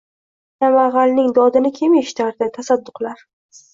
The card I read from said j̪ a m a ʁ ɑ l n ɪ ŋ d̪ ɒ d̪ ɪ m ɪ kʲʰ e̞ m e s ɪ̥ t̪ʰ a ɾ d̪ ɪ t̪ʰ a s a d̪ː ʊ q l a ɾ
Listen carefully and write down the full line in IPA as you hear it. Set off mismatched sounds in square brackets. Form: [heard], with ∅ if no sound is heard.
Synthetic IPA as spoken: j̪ a m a ʁ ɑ l n ɪ ŋ d̪ ɒ d̪ ɪ [n] ɪ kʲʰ e̞ m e [ʃ] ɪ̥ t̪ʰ a ɾ d̪ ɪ t̪ʰ a s a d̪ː ʊ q l a ɾ

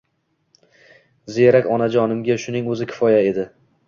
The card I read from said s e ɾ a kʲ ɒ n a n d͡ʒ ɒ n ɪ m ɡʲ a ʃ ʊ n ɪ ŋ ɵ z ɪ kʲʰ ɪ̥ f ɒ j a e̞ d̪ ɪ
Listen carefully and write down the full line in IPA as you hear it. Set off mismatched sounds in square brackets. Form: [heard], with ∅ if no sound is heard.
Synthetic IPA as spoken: [z] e ɾ a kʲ ɒ n a [∅] d͡ʒ ɒ n ɪ m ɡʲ a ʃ ʊ n ɪ ŋ ɵ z ɪ kʲʰ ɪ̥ f ɒ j a e̞ d̪ ɪ

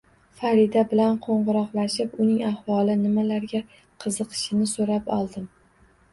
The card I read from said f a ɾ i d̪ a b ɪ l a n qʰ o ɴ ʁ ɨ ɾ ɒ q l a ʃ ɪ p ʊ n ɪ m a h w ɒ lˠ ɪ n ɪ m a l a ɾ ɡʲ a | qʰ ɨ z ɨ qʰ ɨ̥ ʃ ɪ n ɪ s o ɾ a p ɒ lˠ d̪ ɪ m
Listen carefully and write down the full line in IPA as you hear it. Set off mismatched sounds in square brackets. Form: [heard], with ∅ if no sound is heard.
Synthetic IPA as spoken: f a ɾ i d̪ a b ɪ l a n qʰ o ɴ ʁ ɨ ɾ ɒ q l a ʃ ɪ p ʊ n ɪ [ŋ] a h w ɒ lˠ ɪ n ɪ m a l a ɾ ɡʲ a | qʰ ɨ z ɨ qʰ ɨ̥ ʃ ɪ n ɪ s o ɾ a p ɒ lˠ d̪ ɪ m

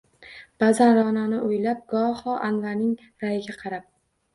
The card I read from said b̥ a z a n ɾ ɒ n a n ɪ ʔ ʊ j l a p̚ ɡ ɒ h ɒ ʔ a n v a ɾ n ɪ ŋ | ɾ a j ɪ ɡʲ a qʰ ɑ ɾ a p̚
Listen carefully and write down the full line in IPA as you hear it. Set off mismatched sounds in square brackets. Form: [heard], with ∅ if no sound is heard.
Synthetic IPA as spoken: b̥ a z a n ɾ ɒ n a n ɪ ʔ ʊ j l a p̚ ɡ ɒ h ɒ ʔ a n v a ɾ n ɪ ŋ | ɾ a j ɪ ɡʲ a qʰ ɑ ɾ a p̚

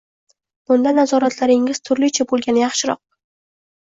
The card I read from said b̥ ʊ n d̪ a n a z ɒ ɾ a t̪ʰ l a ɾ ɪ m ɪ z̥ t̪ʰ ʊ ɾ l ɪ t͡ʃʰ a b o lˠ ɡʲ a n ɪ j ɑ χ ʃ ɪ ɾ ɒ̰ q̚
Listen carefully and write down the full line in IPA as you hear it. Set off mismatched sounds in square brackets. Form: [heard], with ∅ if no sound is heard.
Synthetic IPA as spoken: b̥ ʊ n d̪ a n a z ɒ ɾ a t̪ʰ l a ɾ ɪ [ŋ] ɪ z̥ t̪ʰ ʊ ɾ l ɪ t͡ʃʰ a b o lˠ ɡʲ a n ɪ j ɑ χ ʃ ɪ ɾ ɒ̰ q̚

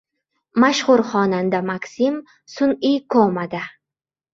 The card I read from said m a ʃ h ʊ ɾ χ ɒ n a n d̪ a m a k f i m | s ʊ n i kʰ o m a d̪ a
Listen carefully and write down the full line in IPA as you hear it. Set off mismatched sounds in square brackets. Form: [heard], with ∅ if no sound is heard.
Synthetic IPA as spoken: m a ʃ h ʊ ɾ χ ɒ n a n d̪ a m a k [s] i m | s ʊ n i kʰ o m a d̪ a

